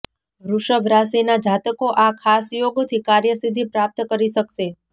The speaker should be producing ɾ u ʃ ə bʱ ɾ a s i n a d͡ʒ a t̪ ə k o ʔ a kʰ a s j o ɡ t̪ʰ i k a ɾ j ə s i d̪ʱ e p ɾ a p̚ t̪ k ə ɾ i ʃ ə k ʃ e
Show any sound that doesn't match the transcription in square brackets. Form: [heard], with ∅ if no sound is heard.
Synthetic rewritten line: ɾ u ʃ ə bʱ ɾ a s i n a d͡ʒ a t̪ ə k o ʔ a kʰ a s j o ɡ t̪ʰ i k a ɾ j ə s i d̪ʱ [i] p ɾ a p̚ t̪ k ə ɾ i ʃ ə k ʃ e